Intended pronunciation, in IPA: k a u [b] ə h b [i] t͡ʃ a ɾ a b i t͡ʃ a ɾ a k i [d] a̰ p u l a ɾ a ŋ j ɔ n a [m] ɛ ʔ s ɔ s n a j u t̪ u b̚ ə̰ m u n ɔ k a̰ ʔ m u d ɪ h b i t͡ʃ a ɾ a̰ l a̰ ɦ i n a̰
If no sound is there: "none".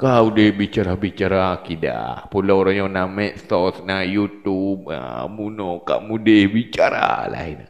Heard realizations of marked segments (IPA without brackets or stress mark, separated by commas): d, i, d, m